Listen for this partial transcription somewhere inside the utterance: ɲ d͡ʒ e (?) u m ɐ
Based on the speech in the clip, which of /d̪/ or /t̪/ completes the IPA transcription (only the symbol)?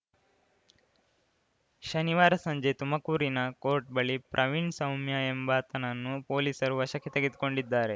t̪